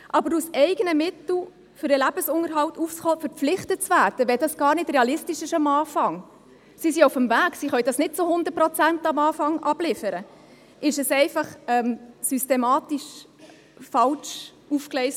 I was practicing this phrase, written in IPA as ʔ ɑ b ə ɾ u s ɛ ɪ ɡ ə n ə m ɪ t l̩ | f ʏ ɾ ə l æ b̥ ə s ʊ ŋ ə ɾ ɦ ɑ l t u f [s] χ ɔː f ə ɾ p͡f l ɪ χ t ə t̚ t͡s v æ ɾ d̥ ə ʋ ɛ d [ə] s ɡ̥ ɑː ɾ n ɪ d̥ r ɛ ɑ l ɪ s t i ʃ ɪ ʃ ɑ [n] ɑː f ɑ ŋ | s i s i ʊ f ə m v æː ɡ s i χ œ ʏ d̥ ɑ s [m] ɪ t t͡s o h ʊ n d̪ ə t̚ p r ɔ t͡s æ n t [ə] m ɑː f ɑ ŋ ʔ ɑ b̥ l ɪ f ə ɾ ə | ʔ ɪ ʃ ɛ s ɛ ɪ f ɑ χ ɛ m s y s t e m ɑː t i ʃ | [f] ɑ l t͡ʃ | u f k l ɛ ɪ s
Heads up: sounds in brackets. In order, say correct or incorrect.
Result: correct, incorrect: ɑ, incorrect: m, incorrect: n, incorrect: ɑ, correct

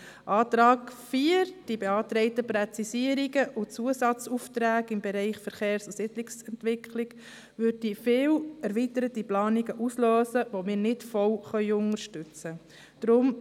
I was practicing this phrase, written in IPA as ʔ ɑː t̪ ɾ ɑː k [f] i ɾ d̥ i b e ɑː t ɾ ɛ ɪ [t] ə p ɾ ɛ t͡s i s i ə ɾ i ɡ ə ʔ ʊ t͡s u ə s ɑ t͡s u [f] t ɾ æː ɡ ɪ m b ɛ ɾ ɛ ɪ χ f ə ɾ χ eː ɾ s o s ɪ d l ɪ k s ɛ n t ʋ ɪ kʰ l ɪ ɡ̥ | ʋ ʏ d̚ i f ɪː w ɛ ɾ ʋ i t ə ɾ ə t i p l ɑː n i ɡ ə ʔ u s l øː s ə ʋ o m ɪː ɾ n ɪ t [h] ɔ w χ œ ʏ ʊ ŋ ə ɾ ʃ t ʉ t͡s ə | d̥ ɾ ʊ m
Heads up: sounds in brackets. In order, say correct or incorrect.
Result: correct, correct, correct, incorrect: f

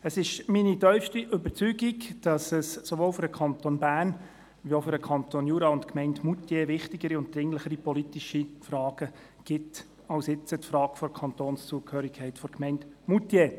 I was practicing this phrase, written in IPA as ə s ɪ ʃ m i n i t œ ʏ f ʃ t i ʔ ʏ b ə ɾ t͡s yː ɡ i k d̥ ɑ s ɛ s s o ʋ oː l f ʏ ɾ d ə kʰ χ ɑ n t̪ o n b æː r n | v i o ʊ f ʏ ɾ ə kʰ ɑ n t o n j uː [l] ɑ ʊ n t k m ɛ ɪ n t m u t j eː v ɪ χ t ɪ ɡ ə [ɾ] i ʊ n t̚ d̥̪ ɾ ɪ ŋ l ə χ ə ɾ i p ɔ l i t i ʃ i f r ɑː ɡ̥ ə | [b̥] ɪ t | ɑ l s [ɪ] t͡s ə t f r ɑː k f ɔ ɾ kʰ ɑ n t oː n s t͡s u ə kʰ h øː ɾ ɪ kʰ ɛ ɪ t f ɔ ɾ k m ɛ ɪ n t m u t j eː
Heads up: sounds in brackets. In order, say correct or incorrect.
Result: incorrect: ɾ, correct, incorrect: ɡ̥, correct

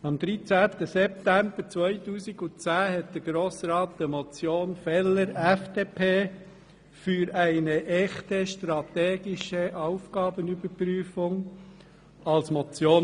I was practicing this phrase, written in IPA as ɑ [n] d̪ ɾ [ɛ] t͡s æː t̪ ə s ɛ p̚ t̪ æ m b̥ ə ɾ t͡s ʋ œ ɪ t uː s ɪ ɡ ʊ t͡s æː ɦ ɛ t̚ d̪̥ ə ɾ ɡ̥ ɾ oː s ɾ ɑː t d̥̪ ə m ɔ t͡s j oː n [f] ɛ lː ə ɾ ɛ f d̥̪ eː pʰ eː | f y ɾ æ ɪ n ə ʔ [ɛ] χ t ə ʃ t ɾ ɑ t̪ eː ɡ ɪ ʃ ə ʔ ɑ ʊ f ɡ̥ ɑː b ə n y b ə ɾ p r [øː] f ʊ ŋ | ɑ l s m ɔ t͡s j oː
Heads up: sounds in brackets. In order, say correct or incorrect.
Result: incorrect: m, incorrect: i, correct, correct, incorrect: yː

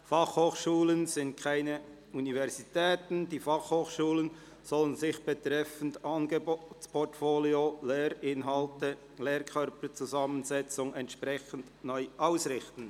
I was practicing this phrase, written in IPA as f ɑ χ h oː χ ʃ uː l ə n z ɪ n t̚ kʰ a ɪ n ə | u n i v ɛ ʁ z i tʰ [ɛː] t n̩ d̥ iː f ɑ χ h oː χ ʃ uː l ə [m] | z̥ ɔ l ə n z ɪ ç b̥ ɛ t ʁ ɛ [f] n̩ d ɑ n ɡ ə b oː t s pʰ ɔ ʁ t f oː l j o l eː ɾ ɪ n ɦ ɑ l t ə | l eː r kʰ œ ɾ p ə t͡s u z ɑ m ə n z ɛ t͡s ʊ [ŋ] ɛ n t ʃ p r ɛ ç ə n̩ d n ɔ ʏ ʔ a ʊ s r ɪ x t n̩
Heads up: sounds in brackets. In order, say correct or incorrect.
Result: correct, incorrect: n, correct, correct

